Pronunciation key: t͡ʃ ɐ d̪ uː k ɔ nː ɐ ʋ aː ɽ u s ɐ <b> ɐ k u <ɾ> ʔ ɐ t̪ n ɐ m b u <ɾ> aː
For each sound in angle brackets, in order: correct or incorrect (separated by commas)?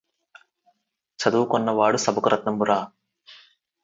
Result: correct, correct, correct